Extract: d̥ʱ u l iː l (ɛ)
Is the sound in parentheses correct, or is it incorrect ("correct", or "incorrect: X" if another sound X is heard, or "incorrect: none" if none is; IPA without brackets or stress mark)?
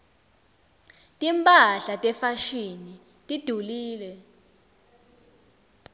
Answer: correct